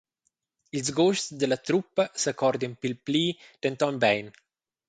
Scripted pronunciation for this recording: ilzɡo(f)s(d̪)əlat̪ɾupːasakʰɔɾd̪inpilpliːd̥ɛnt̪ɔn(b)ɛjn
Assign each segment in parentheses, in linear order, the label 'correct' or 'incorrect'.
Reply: incorrect: ʃ, correct, correct

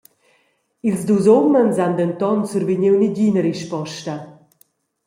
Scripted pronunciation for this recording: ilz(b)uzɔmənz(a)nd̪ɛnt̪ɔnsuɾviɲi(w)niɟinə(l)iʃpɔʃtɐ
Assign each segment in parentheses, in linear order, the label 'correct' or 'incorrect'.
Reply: incorrect: d, correct, correct, incorrect: ɾ

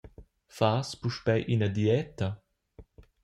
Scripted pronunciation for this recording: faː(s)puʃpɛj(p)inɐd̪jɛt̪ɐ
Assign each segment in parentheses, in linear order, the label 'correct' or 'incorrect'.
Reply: correct, incorrect: ʔ

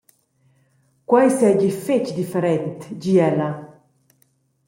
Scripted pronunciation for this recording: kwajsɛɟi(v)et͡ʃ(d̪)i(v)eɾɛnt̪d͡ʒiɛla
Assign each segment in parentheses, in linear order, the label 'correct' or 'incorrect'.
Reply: incorrect: f, correct, incorrect: f

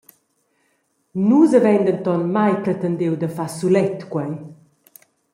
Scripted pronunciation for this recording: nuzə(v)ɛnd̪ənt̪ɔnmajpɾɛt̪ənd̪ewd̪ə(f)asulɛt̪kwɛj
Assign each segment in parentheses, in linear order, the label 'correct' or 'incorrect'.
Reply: correct, correct

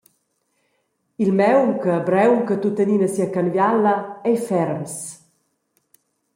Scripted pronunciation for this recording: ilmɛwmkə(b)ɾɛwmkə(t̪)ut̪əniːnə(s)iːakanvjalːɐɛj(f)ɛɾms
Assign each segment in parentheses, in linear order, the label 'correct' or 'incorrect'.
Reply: correct, correct, correct, correct

